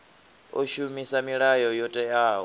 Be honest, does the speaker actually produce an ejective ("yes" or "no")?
yes